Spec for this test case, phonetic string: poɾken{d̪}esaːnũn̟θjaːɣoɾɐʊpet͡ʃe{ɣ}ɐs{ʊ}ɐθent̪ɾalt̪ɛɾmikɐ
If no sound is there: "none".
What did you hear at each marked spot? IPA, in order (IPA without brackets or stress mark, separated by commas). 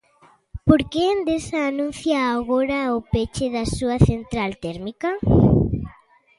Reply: d̪, ð, u